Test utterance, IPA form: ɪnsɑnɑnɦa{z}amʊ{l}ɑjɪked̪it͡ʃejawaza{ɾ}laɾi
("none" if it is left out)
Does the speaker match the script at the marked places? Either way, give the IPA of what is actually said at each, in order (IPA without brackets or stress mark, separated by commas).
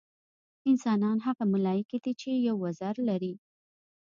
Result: ɣ, l, ɾ